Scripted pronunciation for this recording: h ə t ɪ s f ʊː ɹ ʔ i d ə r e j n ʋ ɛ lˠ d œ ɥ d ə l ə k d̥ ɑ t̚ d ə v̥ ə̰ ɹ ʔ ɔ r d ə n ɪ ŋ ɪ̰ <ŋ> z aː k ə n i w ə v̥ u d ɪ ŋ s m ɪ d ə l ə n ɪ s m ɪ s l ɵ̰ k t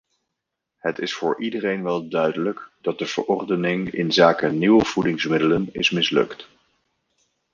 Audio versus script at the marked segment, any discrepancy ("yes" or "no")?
yes